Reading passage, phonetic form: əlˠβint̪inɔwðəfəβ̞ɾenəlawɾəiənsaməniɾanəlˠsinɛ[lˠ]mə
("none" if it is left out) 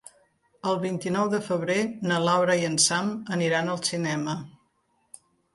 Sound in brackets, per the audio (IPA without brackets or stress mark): none